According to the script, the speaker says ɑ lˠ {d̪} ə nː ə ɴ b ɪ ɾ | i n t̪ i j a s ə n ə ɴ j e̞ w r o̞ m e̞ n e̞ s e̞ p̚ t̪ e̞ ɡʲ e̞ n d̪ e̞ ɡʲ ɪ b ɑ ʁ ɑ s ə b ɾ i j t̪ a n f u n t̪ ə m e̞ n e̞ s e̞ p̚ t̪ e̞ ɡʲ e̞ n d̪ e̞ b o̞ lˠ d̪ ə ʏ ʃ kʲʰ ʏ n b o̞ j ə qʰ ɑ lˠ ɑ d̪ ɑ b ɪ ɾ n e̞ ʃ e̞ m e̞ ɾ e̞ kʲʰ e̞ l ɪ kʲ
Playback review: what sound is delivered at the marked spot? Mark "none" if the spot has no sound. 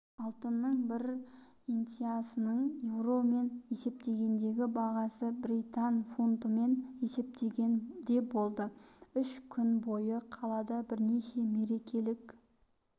t̪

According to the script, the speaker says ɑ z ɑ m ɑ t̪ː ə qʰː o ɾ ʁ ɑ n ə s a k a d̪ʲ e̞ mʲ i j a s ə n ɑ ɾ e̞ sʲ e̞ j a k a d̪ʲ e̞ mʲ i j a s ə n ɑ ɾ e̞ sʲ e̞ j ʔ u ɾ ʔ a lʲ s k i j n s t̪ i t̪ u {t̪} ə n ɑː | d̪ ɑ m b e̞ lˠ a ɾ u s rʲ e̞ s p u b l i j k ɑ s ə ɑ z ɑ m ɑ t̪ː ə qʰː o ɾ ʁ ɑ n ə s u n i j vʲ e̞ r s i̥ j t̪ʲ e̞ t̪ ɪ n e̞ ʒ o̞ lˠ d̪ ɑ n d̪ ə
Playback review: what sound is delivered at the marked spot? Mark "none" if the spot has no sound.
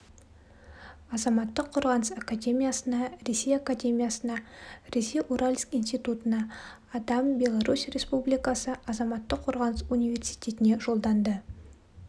t̪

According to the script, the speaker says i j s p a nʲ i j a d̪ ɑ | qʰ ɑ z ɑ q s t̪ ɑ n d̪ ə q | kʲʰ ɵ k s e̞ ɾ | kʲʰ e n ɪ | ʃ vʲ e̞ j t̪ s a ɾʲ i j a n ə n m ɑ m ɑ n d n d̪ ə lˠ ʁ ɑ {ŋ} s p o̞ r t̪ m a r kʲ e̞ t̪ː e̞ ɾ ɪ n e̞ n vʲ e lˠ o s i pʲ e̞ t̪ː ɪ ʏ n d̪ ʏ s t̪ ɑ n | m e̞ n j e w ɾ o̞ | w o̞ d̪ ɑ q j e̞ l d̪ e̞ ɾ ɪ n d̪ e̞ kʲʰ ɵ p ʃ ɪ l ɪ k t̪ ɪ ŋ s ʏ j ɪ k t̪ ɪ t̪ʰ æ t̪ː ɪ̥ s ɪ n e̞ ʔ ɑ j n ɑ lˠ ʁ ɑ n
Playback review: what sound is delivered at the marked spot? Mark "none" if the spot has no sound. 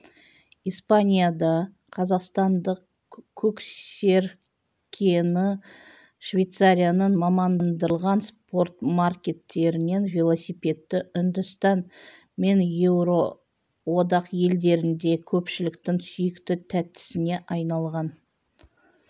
n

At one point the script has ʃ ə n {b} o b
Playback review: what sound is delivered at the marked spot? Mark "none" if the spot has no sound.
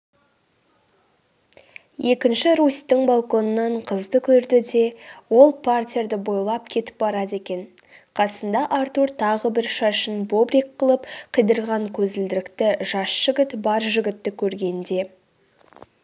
b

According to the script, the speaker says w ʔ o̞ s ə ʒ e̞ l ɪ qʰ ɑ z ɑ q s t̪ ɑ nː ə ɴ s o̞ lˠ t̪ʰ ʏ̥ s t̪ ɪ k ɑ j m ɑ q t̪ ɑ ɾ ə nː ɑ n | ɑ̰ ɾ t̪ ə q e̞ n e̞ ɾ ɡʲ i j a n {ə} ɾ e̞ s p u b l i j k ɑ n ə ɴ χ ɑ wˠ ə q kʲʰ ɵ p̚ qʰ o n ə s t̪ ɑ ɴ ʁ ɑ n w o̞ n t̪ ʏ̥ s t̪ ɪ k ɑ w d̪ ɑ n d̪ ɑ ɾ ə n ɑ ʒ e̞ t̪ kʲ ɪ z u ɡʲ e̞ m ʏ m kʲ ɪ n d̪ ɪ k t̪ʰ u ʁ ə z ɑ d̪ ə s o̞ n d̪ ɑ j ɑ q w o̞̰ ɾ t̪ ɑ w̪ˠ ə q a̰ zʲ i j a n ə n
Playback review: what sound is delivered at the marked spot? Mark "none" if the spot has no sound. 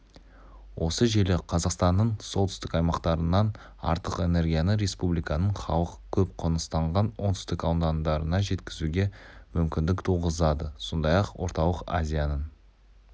ə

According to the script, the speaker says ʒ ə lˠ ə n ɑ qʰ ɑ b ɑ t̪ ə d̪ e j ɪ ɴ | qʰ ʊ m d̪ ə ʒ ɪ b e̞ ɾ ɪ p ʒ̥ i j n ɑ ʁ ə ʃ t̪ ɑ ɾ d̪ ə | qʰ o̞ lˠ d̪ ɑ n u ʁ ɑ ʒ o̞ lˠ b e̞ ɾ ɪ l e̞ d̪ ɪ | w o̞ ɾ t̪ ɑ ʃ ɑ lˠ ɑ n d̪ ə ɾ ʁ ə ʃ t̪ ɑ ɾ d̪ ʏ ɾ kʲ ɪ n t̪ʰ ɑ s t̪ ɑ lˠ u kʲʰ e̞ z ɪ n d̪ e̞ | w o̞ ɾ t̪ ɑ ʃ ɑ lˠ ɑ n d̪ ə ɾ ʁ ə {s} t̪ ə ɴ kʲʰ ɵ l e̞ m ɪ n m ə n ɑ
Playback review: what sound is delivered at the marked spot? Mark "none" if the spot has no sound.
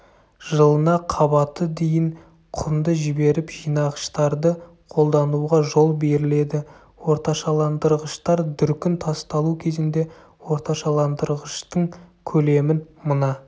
ʃ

